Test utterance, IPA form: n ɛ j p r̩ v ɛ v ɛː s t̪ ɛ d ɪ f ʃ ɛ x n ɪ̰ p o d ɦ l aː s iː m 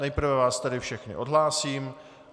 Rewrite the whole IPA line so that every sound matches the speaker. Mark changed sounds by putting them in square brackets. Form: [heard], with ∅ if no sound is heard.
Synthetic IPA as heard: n ɛ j p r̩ v ɛ v [aː] s t̪ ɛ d ɪ f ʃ ɛ x n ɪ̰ [ʔ] o d ɦ l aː s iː m

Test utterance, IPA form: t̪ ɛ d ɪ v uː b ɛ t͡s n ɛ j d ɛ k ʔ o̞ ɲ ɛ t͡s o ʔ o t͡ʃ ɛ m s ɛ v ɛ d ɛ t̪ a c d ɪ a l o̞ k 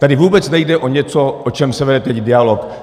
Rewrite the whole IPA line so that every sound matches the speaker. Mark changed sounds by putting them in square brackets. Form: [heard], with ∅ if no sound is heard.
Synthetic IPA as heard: t̪ [a] d ɪ v uː b ɛ t͡s n ɛ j d ɛ [∅] ʔ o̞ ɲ ɛ t͡s o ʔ o t͡ʃ ɛ m s ɛ v ɛ d ɛ t̪ [ɛ] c d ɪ a l o̞ k

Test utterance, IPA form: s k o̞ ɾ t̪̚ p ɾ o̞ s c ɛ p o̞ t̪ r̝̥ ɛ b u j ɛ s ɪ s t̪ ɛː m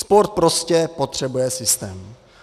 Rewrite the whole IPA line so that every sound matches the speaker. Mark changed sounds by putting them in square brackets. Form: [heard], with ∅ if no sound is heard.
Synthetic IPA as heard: s [p] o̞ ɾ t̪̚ p ɾ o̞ s c ɛ p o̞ t̪ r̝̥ ɛ b u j ɛ s ɪ s t̪ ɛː m

